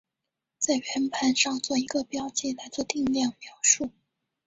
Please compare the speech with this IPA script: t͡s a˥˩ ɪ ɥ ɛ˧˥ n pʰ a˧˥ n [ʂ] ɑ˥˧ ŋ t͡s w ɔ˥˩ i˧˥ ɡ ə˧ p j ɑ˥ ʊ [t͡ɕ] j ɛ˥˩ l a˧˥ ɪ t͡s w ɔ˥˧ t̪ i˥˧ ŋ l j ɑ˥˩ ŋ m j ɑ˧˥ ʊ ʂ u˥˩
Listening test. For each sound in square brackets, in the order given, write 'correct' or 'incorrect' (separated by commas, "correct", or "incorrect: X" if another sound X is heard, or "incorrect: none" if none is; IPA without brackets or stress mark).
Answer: correct, correct